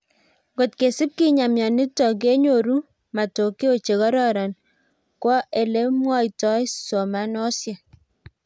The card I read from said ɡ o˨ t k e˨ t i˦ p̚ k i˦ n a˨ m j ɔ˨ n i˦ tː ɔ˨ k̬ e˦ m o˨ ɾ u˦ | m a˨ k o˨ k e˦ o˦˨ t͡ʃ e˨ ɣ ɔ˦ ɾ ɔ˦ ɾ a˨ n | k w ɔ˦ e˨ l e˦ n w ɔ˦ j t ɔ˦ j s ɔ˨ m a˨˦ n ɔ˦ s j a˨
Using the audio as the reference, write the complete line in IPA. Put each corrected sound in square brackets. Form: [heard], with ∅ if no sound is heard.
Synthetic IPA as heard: ɡ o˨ t k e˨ [s] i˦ p̚ k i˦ [ɲ] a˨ m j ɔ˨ n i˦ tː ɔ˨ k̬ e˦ [ɲ] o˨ ɾ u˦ | m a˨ [t] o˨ k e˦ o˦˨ t͡ʃ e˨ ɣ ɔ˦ ɾ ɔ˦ ɾ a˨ n | k w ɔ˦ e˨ l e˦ [m] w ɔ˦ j t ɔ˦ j s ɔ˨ m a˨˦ n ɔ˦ s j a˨

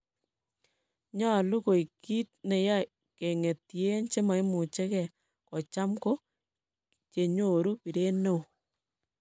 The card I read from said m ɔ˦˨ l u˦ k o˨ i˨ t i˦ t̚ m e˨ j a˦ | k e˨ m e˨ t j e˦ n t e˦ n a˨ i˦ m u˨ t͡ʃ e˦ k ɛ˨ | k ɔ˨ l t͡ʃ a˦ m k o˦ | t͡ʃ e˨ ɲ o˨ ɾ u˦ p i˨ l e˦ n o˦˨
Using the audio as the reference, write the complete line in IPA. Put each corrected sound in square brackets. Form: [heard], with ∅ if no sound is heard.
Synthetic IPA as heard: [ɲ] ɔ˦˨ l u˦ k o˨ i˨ [k] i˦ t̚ [n] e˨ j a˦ | k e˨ [ŋ] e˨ t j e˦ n [t͡ʃ] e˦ [m] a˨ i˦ m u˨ t͡ʃ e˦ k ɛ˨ | k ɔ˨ [∅] t͡ʃ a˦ m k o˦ | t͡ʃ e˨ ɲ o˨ ɾ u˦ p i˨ [ɾ] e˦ n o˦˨

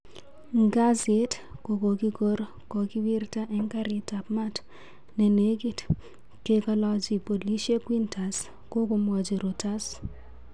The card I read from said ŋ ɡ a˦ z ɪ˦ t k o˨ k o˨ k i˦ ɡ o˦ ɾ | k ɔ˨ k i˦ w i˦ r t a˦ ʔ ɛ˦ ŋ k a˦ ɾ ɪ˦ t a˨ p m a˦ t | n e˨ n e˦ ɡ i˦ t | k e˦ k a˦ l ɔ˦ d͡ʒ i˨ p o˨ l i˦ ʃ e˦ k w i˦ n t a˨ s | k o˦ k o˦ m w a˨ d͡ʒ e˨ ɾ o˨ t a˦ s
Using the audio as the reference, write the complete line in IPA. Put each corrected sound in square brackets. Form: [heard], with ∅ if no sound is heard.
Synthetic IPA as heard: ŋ ɡ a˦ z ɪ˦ t k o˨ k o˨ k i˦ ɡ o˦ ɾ | k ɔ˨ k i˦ w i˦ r t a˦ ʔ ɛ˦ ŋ k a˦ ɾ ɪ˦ t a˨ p m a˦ t | n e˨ n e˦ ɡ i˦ t | k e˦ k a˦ l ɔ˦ d͡ʒ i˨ p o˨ l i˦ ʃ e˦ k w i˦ n t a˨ s | k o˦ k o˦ m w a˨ d͡ʒ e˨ ɾ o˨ t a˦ s

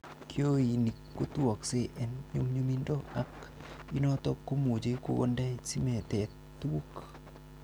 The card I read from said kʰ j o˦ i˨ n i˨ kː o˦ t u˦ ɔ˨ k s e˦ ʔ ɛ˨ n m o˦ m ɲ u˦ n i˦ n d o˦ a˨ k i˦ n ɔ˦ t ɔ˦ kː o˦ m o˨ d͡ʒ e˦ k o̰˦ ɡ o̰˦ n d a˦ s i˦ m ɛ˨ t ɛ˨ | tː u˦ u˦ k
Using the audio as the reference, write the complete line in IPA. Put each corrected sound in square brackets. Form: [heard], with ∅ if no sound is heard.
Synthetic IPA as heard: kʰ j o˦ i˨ n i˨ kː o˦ t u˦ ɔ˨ k s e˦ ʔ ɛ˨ n [ɲ] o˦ m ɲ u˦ [m] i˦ n d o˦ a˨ k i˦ n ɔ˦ t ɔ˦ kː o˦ m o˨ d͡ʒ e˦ k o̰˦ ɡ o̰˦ n d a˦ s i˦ m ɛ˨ t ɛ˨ | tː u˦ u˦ k

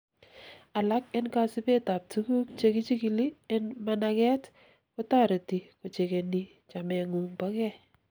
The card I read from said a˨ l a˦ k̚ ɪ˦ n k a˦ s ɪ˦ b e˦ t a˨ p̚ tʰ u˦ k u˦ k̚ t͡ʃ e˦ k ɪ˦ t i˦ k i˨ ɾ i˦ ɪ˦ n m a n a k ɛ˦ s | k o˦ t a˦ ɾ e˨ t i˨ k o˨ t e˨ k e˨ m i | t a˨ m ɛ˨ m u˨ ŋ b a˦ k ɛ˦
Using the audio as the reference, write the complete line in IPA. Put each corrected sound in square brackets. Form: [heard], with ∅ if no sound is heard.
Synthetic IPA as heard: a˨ l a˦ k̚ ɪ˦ n k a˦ s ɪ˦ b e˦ t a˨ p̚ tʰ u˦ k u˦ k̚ t͡ʃ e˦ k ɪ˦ [t͡ʃ] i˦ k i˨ [l] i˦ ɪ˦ n m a n a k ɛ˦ [t] | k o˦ t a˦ ɾ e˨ t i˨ k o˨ [t͡ʃ] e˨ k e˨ [n] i | [t͡ʃ] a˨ m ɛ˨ [ŋ] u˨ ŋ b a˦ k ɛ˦

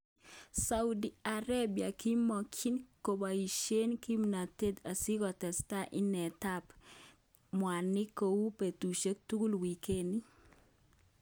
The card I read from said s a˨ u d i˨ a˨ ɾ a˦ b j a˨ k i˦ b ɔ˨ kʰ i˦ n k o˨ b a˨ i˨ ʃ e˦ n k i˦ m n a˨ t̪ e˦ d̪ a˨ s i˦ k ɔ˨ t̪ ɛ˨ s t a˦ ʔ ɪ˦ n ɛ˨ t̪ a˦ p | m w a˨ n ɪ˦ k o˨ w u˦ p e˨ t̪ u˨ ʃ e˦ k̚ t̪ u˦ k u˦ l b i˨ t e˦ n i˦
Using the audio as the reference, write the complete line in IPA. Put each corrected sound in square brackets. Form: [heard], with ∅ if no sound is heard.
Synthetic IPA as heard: s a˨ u d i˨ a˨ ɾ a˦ b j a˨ k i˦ [m] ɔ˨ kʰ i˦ n k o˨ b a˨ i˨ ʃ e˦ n k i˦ m n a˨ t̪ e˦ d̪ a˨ s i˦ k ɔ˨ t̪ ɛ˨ s t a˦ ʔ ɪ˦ n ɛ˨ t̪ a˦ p | m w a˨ n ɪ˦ k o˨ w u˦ p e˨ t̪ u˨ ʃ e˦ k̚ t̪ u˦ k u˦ l [w] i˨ [k] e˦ n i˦

